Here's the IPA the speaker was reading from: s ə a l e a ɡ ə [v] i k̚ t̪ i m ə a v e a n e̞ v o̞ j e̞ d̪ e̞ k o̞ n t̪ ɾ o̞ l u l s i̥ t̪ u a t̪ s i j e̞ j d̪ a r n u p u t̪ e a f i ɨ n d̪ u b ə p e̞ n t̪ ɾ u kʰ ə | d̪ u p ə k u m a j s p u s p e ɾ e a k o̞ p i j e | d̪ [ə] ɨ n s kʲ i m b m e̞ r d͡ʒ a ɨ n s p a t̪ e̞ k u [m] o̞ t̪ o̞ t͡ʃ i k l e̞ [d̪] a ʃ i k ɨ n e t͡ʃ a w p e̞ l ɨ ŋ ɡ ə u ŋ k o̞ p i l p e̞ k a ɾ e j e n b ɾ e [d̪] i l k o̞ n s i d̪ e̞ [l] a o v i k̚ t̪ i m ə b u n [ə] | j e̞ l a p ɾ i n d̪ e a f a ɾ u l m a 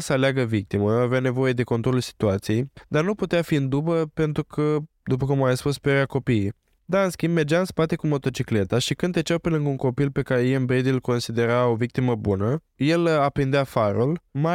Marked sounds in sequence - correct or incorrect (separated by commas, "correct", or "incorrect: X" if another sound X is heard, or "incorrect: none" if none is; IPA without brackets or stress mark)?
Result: correct, incorrect: a, correct, incorrect: t̪, correct, incorrect: ɾ, correct